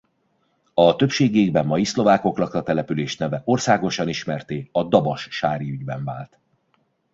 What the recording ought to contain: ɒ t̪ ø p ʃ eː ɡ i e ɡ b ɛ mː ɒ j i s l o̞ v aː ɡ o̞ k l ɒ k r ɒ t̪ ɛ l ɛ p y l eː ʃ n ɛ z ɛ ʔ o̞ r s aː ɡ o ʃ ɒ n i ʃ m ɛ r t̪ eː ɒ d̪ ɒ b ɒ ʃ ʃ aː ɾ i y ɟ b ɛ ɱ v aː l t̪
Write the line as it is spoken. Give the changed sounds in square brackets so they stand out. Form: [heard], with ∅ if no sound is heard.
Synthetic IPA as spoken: ɒ t̪ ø p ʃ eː ɡ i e ɡ b ɛ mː ɒ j i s l o̞ v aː [k] o̞ k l ɒ k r ɒ t̪ ɛ l ɛ p y l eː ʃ n ɛ [v] ɛ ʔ o̞ r s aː ɡ o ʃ ɒ n i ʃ m ɛ r t̪ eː ɒ d̪ ɒ b ɒ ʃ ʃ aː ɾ i y ɟ b ɛ ɱ v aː l t̪